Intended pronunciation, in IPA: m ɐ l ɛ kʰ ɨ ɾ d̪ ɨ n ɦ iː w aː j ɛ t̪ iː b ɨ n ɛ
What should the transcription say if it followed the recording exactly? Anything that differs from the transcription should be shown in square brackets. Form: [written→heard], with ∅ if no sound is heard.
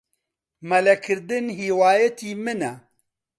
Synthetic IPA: m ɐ l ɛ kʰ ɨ ɾ d̪ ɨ n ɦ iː w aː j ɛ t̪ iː [b→m] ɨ n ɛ